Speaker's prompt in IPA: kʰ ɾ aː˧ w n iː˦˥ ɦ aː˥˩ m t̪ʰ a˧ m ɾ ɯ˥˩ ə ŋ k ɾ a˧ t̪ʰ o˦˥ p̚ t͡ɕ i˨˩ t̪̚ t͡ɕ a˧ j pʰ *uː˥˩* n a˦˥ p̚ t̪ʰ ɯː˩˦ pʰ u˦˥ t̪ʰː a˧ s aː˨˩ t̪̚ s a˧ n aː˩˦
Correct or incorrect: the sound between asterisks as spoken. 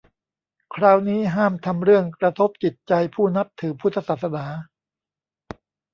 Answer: correct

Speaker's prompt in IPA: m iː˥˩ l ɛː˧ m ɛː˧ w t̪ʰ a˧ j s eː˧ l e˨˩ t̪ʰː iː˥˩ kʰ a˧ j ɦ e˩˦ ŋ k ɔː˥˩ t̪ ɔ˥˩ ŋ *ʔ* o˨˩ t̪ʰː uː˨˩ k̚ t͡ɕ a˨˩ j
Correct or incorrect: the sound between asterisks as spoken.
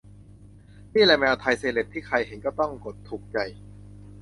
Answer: incorrect: k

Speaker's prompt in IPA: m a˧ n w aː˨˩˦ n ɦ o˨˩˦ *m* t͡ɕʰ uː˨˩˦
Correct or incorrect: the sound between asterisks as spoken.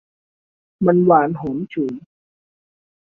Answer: correct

